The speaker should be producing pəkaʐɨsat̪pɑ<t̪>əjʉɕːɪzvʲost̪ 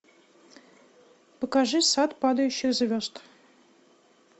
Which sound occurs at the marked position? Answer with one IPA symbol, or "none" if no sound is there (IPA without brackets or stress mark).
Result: d̪